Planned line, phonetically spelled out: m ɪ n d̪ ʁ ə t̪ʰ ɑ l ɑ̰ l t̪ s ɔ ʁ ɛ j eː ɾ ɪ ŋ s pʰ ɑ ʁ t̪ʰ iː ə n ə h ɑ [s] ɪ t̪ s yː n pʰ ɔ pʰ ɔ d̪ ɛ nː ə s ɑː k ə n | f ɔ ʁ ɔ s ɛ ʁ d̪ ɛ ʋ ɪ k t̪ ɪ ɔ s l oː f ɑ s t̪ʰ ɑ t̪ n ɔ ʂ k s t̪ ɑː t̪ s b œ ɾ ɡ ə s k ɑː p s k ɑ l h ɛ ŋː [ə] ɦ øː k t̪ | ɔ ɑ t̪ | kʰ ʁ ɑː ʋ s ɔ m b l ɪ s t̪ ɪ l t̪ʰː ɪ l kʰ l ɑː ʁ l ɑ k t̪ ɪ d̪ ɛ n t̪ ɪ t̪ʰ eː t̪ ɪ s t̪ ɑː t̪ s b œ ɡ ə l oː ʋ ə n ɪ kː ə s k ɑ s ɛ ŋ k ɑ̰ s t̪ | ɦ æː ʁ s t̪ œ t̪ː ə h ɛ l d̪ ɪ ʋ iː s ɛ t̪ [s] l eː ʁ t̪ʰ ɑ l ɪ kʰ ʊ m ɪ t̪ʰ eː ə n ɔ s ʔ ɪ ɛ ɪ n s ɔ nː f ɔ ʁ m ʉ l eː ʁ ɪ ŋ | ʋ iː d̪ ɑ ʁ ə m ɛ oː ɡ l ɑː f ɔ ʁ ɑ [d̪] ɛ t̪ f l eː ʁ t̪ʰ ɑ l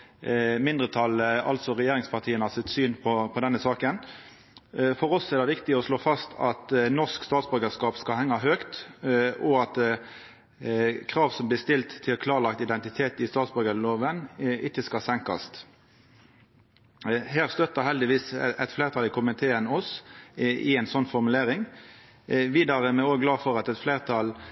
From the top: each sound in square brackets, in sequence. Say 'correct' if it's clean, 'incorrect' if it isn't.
correct, incorrect, incorrect, incorrect

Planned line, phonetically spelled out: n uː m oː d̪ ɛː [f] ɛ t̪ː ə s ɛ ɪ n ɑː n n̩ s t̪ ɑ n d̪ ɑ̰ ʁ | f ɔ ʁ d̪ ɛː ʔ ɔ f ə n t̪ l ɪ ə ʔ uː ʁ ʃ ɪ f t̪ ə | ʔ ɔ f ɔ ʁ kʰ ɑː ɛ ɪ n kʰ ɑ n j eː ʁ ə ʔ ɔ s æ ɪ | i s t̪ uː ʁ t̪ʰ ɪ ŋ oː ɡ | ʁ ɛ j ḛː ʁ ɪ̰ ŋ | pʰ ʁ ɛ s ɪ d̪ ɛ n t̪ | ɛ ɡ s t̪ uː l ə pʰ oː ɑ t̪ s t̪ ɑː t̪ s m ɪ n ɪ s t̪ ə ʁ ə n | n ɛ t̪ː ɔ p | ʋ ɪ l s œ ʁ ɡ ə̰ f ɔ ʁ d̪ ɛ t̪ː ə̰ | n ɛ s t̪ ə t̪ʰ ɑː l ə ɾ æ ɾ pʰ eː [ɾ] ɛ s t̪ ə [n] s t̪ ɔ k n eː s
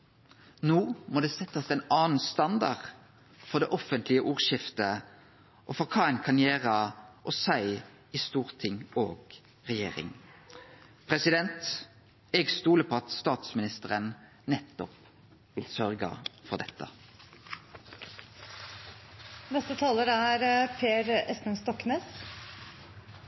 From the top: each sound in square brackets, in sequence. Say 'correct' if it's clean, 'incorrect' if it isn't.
incorrect, correct, correct

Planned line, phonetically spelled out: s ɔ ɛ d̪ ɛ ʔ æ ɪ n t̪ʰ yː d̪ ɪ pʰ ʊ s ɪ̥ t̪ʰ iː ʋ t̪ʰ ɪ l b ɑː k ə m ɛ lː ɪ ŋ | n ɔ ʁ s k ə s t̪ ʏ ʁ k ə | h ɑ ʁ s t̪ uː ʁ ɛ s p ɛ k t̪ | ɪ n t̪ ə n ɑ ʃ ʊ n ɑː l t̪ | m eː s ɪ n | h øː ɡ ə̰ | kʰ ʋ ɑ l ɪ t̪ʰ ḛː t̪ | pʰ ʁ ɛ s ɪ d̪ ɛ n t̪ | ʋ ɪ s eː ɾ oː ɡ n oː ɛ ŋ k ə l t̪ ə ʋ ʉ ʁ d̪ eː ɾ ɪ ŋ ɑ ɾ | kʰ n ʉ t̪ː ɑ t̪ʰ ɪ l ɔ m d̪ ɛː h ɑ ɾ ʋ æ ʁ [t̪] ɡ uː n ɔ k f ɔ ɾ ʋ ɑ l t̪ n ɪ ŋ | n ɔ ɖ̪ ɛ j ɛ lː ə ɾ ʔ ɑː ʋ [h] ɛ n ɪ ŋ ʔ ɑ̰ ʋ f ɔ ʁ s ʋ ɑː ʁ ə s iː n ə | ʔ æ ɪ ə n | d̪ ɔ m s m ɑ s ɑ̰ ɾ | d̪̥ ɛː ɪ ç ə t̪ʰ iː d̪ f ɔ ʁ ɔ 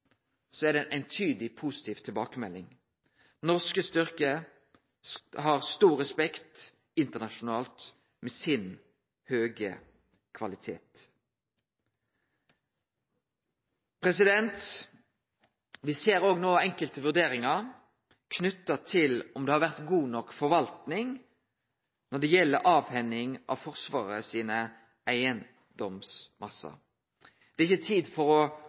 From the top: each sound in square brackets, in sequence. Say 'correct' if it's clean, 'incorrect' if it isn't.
correct, correct

